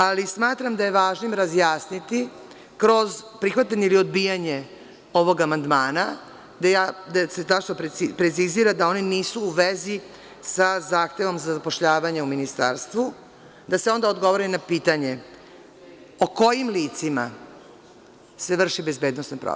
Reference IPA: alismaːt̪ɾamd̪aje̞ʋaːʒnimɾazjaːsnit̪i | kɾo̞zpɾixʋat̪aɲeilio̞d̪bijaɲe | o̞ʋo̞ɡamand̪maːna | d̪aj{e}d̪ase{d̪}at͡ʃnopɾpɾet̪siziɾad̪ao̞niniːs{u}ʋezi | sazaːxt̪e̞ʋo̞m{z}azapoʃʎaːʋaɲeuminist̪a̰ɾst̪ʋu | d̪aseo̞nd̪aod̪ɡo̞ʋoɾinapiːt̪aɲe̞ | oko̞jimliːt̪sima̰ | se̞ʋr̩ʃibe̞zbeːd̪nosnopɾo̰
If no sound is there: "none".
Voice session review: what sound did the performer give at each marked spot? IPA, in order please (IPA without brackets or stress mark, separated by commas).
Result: a, t̪, uː, z